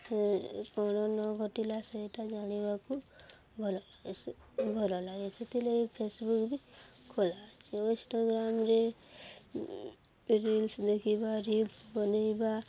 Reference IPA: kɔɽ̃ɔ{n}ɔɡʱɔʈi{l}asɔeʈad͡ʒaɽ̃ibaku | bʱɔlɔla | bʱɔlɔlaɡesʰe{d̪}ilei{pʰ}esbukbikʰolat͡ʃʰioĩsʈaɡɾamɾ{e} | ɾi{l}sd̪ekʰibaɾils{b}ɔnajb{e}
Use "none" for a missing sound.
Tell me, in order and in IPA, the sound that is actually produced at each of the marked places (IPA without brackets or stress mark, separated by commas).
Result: n, l, t̪, pʰ, e, l, b, a